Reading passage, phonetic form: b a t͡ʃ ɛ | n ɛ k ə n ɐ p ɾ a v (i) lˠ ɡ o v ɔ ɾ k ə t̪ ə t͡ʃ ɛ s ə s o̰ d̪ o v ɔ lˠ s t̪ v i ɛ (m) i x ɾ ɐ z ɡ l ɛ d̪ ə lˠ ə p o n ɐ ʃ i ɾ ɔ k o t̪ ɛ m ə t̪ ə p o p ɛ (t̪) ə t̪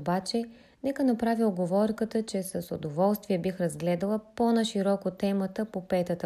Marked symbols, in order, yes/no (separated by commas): yes, no, yes